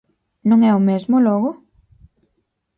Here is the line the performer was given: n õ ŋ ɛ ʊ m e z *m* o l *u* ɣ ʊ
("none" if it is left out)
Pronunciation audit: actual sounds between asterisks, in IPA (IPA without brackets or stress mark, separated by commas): m, ɔ